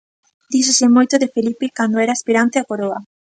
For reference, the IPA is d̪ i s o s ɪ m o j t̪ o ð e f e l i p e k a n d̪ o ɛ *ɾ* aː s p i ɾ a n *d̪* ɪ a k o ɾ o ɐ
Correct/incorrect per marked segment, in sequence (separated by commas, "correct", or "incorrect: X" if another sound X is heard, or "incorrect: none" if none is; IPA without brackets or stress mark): correct, incorrect: t̪